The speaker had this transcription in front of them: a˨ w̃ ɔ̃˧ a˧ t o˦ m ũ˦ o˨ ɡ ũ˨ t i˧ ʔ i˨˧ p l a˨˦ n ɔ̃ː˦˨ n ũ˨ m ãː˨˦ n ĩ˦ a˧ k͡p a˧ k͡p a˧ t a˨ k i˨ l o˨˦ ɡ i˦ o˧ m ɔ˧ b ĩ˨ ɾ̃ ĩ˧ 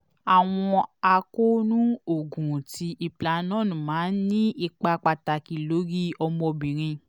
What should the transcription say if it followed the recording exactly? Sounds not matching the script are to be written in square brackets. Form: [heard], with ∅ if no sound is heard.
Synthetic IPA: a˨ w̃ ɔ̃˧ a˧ [k] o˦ [n] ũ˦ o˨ ɡ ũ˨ t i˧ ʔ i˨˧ p l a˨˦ n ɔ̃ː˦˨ n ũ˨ m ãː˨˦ n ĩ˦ [i˧] k͡p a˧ k͡p a˧ t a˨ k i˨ l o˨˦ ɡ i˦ [ɔ˧] m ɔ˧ b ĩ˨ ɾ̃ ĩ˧

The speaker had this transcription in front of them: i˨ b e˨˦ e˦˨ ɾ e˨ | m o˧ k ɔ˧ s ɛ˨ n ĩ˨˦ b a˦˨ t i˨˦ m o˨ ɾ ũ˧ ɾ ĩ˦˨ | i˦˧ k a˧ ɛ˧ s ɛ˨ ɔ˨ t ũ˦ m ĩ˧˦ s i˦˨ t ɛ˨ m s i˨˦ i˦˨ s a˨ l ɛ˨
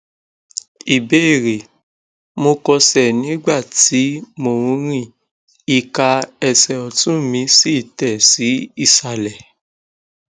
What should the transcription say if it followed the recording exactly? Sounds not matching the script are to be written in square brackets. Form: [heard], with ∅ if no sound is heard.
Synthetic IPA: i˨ b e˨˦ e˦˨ ɾ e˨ | m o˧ k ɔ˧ s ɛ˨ n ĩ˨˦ [ɡ͡b] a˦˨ t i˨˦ m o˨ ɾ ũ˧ ɾ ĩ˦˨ | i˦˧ k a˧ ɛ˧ s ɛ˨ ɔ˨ t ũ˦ m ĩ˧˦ s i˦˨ t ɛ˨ [∅] s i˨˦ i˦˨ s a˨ l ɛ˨

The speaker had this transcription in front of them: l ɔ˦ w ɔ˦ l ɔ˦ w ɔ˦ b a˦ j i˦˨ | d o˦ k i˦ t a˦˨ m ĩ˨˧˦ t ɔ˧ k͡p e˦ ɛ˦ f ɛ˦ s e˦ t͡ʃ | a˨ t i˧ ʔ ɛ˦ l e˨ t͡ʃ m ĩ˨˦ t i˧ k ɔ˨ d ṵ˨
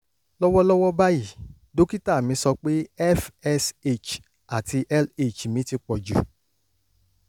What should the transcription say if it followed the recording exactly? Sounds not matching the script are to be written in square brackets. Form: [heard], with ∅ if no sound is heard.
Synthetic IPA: l ɔ˦ w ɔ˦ l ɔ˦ w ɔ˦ b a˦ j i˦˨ | d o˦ k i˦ t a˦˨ m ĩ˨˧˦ [s] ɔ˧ k͡p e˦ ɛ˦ f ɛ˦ s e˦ t͡ʃ | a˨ t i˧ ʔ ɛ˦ l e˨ t͡ʃ m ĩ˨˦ t i˧ [k͡p] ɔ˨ [d͡ʒ] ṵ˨

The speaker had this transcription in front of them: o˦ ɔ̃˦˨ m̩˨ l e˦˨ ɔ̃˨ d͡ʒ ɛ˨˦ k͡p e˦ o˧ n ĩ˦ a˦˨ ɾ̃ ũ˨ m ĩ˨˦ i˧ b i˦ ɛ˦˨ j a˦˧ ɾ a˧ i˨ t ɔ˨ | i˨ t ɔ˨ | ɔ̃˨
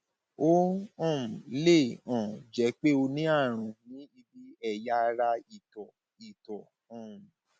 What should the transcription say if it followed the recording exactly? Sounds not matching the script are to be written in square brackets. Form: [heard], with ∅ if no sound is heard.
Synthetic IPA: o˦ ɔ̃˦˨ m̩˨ l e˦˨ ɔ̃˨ d͡ʒ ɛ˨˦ k͡p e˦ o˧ n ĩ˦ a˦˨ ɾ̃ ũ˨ [n] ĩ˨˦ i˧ b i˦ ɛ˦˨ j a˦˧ ɾ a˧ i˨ t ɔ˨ | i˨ t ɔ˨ | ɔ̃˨

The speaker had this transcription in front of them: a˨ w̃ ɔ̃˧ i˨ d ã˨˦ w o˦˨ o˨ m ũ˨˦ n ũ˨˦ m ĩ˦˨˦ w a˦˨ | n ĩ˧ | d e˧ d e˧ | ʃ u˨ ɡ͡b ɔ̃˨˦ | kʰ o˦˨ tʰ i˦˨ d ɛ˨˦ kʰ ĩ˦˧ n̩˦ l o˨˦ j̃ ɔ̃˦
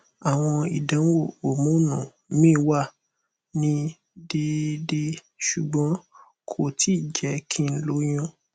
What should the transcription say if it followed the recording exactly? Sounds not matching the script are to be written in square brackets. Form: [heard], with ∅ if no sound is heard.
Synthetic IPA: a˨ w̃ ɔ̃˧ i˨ d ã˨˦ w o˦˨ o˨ m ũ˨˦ n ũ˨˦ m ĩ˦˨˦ w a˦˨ | n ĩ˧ | d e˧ d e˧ | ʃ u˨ ɡ͡b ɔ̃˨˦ | kʰ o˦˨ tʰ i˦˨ [d͡ʒ] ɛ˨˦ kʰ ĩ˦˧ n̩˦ l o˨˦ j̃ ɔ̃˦

